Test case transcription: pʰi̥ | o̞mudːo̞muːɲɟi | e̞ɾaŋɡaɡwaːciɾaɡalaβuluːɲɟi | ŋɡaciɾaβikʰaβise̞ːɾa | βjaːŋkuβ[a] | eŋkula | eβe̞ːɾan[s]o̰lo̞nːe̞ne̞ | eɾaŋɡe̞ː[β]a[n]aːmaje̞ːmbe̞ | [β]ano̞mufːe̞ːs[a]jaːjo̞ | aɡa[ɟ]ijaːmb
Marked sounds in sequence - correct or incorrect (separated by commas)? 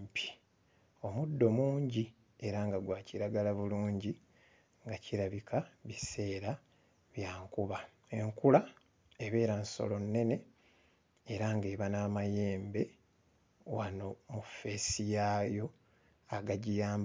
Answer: correct, correct, correct, correct, incorrect, incorrect, correct